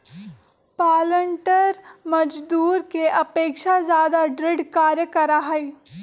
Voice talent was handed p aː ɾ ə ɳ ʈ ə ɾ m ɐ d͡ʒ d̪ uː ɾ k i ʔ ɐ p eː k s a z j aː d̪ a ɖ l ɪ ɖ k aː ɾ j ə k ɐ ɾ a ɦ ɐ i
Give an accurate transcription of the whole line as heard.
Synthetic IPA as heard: p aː l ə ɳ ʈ ə ɾ m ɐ d͡ʒ d̪ uː ɾ k e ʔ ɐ p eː k ʃ a z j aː d̪ a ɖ ɾ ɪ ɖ k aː ɾ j ə k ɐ ɾ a ɦ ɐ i